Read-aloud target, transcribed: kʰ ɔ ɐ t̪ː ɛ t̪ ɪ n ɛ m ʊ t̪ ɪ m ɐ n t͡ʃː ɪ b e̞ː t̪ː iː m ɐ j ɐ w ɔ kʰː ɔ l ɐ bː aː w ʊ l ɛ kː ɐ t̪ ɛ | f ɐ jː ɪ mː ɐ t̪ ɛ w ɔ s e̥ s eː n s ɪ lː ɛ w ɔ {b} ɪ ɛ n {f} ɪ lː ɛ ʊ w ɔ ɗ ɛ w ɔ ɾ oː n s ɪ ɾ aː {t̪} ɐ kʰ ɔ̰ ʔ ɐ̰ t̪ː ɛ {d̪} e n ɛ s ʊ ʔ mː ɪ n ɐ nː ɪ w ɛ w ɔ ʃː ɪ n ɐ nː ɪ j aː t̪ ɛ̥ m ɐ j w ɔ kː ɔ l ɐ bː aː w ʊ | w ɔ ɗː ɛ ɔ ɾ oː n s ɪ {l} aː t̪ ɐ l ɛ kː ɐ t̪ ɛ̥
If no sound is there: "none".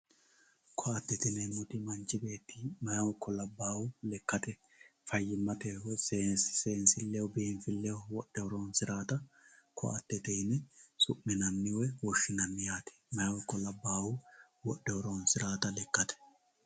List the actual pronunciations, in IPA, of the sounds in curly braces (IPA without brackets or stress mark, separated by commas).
b, f, t̪, t̪, ɾ